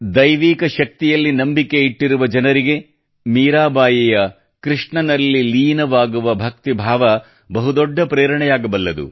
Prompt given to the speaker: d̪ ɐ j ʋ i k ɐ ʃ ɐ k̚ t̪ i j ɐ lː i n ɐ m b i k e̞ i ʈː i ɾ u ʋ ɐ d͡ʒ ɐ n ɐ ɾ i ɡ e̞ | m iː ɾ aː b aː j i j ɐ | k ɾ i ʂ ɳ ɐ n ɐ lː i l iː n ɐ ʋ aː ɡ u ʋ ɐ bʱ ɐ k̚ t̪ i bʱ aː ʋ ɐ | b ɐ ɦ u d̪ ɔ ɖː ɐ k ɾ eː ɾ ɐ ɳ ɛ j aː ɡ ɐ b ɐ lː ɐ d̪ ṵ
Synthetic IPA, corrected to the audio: d̪ ɐ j ʋ iː k ɐ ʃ ɐ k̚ t̪ i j ɐ lː i n ɐ m b i k e̞ i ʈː i ɾ u ʋ ɐ d͡ʒ ɐ n ɐ ɾ i ɡ e̞ | m iː ɾ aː b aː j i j ɐ | k ɾ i ʂ ɳ ɐ n ɐ lː i l iː n ɐ ʋ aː ɡ u ʋ ɐ bʱ ɐ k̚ t̪ i bʱ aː ʋ ɐ | b ɐ ɦ u d̪ ɔ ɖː ɐ p ɾ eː ɾ ɐ ɳ ɛ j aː ɡ ɐ b ɐ lː ɐ d̪ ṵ